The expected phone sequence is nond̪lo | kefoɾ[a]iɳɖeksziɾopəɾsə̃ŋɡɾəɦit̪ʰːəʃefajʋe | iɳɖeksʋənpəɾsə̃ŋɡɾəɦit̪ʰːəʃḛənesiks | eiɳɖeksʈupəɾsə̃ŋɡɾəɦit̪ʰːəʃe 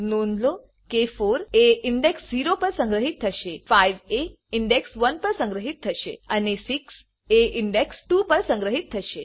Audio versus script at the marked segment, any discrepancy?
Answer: yes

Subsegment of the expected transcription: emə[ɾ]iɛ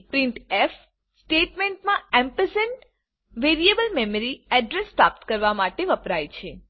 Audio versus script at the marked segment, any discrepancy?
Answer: no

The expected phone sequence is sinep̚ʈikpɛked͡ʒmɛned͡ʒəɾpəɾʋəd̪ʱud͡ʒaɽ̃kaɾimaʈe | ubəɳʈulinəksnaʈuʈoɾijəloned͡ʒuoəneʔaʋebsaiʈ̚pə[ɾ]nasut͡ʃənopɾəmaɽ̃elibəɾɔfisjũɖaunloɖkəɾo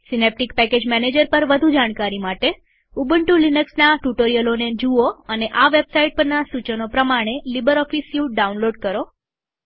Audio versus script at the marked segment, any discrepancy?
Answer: no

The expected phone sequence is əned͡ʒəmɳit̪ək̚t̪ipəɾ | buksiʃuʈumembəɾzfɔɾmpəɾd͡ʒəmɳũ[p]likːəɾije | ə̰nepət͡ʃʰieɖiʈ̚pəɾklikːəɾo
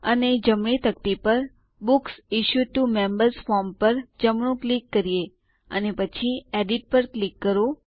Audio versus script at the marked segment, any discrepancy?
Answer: yes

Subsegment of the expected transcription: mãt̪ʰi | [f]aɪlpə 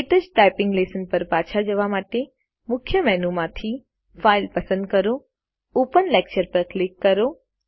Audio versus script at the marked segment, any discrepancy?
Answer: no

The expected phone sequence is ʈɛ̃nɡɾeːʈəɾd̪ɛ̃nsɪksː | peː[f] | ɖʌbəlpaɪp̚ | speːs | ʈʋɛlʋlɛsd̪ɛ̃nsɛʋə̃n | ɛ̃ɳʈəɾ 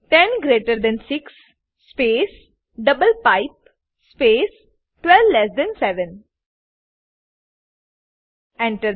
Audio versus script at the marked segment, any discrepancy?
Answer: yes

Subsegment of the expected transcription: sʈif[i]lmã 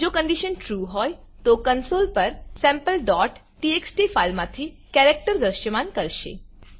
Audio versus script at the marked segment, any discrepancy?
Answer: yes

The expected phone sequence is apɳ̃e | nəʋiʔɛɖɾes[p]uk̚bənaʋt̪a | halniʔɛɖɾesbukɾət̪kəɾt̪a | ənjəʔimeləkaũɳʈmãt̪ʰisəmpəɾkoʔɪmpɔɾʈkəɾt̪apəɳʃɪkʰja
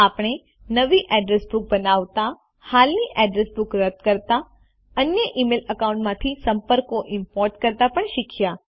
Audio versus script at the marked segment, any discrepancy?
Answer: yes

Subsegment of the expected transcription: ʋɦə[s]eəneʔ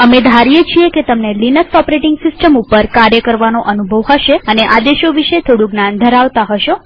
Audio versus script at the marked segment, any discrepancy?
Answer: yes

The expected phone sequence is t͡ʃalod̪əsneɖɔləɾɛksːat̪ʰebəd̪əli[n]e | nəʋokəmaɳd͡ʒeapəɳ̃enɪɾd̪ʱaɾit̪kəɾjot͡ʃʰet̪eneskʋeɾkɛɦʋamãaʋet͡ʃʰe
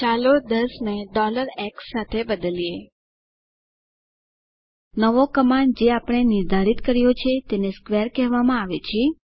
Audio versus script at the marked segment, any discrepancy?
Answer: yes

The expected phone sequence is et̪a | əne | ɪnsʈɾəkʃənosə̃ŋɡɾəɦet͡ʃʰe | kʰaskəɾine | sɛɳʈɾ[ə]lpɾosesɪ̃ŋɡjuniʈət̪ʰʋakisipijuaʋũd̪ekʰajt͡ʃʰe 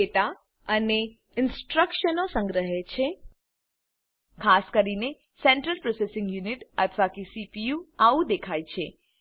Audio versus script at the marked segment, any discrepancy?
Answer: no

